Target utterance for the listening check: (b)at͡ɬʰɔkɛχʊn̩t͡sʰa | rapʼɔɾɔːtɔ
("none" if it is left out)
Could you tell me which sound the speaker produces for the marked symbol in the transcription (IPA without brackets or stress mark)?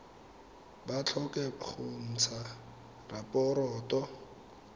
b